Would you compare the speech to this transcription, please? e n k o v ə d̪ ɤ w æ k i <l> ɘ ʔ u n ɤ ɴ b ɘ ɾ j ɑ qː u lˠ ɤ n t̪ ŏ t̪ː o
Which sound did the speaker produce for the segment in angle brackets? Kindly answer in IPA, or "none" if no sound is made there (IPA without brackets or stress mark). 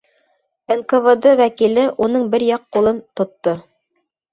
l